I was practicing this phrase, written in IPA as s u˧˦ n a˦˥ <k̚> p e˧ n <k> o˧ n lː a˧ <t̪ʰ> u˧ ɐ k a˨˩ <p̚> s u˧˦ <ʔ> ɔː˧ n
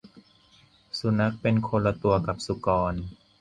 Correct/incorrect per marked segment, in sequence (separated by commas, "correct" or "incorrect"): correct, incorrect, incorrect, correct, incorrect